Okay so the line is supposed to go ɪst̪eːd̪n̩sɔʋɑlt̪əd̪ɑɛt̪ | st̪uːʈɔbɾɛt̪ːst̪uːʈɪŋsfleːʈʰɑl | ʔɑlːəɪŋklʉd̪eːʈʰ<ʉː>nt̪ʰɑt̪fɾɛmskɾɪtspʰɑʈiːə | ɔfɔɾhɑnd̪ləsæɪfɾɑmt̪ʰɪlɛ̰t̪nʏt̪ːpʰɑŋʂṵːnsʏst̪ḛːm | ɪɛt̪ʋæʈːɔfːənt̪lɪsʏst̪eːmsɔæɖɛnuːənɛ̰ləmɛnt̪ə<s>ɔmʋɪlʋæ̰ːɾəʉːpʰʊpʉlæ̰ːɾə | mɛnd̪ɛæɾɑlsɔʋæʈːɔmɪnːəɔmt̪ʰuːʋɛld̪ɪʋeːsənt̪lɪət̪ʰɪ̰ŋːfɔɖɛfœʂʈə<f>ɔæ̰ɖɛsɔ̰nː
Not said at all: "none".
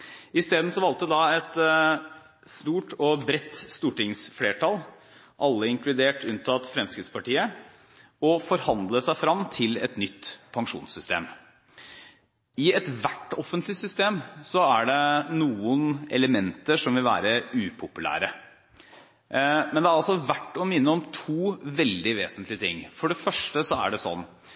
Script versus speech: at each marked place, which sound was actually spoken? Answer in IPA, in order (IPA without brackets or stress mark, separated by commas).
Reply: ʉ, ʂ, s